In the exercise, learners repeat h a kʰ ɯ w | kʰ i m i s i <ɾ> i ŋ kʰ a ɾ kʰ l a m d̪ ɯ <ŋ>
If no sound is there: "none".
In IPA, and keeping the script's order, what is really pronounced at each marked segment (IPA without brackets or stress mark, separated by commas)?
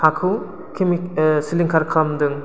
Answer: l, ŋ